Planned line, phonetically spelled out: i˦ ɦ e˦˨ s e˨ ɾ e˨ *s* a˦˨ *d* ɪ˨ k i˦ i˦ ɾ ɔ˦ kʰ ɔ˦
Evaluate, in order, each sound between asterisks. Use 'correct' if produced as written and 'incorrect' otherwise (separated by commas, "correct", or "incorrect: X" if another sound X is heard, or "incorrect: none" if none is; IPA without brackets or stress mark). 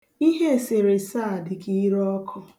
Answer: correct, correct